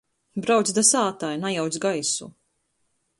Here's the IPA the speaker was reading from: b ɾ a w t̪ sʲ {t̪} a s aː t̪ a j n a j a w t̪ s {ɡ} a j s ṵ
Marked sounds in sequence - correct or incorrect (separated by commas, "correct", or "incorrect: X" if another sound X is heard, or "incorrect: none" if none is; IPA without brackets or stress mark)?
incorrect: d̪, correct